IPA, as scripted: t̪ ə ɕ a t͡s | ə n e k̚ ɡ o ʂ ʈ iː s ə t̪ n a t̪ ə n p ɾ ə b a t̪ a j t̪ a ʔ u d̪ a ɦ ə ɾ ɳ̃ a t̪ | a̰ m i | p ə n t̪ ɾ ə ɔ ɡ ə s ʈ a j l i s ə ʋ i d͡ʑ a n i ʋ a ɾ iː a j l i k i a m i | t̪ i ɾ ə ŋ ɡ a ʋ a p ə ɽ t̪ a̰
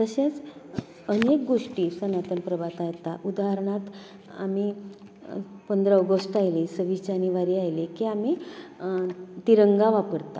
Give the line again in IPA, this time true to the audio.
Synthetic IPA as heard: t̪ ə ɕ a t͡s | ə n e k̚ ɡ o ʂ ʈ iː s ə n a t̪ ə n p ɾ ə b a t̪ a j t̪ a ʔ u d̪ a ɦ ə ɾ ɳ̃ a t̪ | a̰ m i | p ə n d̪ ɾ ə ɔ ɡ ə s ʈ a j l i s ə ʋ i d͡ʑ a n i ʋ a ɾ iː a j l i k i a m i | t̪ i ɾ ə ŋ ɡ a ʋ a p ə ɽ t̪ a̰